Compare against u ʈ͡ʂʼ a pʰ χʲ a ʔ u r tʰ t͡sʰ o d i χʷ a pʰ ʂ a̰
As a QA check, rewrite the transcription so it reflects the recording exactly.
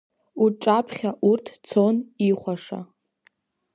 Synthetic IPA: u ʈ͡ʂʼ a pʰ χʲ a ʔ u r tʰ t͡sʰ o n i χʷ a ʂ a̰